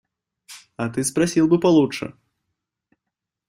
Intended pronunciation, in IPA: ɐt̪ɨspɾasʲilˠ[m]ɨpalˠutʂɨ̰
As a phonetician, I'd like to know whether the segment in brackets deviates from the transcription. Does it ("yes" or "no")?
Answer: yes